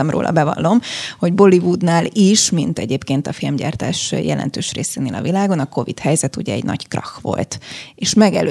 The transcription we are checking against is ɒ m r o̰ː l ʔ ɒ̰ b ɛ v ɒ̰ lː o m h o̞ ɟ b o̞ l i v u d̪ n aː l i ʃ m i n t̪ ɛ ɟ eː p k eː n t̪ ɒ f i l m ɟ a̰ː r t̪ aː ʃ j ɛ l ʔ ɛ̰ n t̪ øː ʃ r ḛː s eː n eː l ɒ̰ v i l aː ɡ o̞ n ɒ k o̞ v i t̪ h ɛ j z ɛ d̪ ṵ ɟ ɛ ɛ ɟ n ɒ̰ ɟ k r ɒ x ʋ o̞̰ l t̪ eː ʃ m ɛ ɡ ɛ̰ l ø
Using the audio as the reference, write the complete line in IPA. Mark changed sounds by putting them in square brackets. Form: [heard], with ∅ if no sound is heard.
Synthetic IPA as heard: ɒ m r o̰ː l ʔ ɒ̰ b ɛ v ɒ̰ lː o m h o̞ ɟ b o̞ l i v u d̪ n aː l i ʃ m i n t̪ ɛ ɟ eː p k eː n t̪ ɒ f i l m ɟ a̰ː r t̪ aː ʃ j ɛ l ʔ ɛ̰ n t̪ øː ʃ r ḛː s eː n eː l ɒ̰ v i l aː ɡ o̞ n ɒ k o̞ v i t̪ h ɛ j z ɛ [t̪] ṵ ɟ ɛ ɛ ɟ n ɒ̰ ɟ k r ɒ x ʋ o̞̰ l t̪ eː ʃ m ɛ ɡ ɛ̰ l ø